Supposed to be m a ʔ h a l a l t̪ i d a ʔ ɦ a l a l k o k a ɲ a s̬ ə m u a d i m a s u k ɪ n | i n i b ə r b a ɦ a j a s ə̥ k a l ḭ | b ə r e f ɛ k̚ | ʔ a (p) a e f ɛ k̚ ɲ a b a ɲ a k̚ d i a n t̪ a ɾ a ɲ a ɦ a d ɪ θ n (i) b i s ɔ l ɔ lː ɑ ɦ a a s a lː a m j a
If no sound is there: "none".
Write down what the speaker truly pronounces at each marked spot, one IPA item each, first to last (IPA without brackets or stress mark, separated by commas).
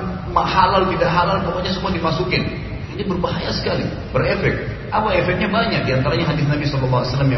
p, a